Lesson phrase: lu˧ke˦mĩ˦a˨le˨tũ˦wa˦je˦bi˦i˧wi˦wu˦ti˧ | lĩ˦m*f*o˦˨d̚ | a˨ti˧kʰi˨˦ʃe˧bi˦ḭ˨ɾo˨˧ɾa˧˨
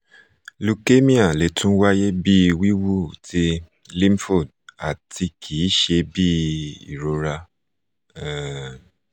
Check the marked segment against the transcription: correct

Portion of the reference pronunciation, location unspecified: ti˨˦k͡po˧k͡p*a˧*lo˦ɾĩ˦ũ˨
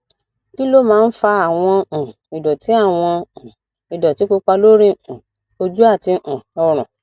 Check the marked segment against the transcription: correct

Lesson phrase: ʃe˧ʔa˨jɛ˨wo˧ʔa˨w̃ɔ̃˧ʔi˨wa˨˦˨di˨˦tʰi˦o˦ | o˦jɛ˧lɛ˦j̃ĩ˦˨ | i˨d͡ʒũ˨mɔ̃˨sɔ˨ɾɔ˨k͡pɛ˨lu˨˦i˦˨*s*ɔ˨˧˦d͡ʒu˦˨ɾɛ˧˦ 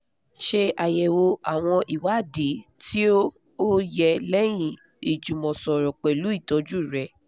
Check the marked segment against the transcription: incorrect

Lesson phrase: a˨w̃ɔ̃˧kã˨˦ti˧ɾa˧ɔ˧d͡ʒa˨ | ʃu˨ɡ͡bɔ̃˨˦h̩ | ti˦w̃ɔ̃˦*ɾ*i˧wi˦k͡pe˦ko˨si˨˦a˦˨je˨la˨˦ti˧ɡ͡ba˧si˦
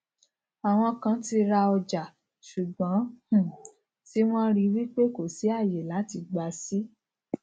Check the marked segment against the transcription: correct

